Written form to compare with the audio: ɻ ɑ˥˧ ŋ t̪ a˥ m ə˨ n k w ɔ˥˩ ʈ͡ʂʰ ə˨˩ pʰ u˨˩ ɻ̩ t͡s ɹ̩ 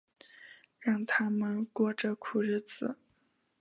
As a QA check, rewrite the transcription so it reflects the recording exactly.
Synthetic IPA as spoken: ɻ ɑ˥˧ ŋ t̪ʰ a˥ m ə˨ n k w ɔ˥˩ ʈ͡ʂ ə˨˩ kʰ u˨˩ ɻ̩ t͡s ɹ̩

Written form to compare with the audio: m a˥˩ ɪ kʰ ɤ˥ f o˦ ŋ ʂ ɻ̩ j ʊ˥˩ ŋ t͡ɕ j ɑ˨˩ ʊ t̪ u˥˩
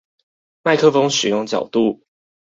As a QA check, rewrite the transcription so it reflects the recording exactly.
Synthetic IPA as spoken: m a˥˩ ɪ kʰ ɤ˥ f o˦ ŋ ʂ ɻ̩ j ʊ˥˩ ŋ t͡ɕ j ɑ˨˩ ʊ t̪ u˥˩

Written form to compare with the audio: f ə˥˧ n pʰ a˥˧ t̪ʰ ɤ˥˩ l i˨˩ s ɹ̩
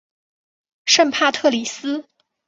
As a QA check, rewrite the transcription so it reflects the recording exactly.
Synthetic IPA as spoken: ʂ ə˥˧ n pʰ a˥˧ t̪ʰ ɤ˥˩ l i˨˩ s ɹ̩

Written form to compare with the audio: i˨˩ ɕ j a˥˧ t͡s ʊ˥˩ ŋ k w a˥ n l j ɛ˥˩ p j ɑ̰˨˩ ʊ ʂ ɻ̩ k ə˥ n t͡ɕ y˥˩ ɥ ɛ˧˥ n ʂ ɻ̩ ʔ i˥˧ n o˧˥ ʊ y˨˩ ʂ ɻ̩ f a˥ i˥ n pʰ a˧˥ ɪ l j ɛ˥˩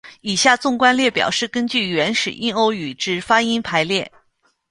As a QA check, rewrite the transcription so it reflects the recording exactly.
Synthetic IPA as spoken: i˨˩ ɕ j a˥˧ t͡s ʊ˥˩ ŋ k w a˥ n l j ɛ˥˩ p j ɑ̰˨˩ ʊ ʂ ɻ̩ k ə˥ n t͡ɕ y˥˩ ɥ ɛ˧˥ n ʂ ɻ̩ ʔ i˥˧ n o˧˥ ʊ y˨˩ ʈ͡ʂ ɻ̩ f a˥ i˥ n pʰ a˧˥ ɪ l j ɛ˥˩

